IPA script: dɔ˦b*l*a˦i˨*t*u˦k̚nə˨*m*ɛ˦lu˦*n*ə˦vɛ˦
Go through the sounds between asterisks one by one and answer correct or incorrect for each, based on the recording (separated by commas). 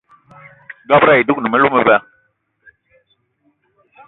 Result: incorrect, incorrect, correct, incorrect